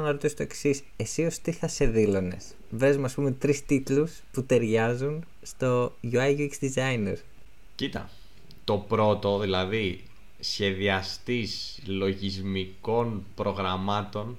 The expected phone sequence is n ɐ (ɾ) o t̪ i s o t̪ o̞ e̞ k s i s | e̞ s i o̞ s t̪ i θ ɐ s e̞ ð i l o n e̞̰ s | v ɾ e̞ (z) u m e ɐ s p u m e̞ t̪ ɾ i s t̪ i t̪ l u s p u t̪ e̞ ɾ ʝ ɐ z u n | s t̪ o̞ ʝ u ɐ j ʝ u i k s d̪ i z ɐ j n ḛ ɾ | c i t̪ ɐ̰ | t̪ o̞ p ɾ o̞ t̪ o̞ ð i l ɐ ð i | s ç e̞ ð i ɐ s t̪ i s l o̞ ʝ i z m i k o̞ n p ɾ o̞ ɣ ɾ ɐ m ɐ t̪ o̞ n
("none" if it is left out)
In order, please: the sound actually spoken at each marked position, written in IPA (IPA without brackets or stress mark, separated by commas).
ɾ, z